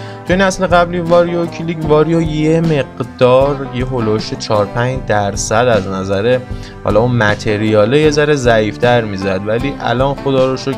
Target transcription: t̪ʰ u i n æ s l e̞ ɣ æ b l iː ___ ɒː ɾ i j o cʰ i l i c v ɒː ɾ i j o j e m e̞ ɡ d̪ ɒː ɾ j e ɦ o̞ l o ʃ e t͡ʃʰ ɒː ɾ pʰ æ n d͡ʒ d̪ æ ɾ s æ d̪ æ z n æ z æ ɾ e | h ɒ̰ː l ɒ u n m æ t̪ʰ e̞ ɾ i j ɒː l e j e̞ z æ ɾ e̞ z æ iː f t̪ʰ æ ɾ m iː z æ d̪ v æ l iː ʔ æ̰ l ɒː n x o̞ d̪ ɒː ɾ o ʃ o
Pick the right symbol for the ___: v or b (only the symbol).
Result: v